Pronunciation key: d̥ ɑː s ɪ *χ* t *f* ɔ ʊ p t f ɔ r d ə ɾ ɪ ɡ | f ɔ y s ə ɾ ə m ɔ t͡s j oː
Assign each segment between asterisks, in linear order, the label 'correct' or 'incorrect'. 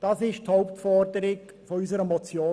incorrect, incorrect

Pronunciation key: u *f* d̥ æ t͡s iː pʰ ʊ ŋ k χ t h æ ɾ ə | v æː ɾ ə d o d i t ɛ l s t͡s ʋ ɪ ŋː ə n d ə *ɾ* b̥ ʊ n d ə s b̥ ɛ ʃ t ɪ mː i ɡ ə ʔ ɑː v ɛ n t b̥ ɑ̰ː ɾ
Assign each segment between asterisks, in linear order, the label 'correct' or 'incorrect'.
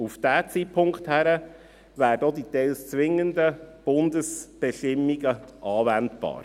correct, incorrect

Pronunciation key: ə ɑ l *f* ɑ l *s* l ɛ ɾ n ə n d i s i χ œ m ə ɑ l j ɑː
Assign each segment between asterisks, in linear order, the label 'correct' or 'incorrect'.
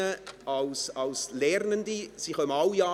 incorrect, correct

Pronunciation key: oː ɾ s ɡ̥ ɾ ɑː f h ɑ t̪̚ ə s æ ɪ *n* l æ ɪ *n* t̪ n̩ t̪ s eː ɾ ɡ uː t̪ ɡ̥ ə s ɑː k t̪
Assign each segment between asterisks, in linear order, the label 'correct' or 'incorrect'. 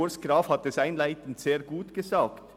correct, incorrect

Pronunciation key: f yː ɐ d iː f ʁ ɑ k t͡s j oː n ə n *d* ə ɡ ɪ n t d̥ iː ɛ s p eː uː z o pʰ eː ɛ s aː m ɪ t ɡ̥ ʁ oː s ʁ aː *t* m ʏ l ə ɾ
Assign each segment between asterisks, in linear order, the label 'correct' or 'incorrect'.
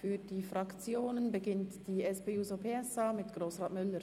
incorrect, correct

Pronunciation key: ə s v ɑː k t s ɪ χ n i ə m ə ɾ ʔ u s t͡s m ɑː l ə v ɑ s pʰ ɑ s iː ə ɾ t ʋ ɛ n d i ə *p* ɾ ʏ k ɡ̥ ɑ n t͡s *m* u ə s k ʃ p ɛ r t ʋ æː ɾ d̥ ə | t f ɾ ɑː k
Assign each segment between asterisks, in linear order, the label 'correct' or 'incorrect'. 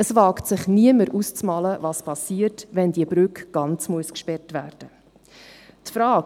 incorrect, correct

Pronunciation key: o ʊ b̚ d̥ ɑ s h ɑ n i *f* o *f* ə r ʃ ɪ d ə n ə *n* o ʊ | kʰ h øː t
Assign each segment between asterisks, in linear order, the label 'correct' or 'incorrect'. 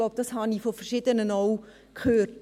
correct, correct, correct

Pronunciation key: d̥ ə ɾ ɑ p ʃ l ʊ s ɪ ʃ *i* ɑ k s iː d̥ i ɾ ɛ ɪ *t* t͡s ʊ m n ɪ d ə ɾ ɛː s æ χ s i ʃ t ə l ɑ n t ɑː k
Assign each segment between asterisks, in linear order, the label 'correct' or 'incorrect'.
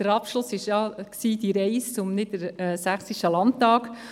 incorrect, incorrect

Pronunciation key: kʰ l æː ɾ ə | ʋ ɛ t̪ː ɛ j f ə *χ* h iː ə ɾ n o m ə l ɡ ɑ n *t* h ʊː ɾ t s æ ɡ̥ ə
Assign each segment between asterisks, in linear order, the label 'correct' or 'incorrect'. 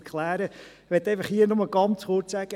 correct, incorrect

